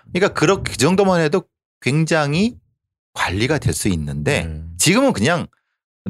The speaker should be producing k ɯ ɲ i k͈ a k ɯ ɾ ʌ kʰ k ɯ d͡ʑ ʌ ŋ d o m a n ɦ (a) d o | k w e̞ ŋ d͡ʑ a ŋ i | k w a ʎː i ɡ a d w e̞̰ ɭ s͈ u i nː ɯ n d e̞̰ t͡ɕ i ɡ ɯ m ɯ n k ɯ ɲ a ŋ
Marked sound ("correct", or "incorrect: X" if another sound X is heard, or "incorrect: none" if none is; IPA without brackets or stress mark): incorrect: e